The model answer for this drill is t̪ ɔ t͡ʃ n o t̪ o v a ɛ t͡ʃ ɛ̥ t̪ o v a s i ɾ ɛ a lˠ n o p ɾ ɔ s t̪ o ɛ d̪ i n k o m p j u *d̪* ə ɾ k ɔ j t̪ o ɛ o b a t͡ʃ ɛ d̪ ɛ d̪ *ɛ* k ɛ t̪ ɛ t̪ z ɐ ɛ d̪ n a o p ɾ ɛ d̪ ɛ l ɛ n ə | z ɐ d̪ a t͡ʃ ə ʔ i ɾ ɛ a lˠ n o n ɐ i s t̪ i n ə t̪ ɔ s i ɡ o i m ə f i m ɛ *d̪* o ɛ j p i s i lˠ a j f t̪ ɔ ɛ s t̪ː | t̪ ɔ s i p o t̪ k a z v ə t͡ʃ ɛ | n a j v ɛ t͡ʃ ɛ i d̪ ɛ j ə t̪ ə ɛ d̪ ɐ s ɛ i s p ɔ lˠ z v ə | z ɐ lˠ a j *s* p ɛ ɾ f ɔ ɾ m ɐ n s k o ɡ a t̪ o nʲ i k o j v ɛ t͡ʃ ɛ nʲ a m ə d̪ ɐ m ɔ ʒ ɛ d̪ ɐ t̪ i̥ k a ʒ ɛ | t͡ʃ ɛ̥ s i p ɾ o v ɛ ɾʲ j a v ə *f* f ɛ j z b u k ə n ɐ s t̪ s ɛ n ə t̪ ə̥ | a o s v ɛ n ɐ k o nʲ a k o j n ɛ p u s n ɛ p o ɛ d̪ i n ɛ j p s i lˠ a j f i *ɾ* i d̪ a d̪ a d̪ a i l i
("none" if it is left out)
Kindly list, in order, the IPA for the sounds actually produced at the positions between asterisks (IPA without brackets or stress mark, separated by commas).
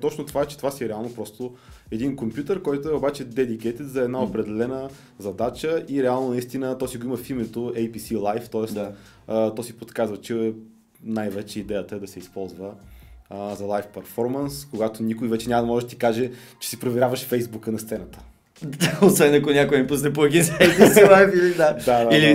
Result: t̪, i, t̪, f, ʃ, l